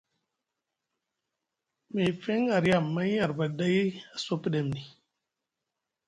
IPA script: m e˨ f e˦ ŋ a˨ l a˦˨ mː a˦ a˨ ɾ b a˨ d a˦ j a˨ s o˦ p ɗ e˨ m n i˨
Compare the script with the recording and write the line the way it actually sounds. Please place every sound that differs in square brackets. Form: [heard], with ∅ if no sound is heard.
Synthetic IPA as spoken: m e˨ f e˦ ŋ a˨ [ɾ] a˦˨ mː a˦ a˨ ɾ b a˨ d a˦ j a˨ s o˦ p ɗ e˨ m n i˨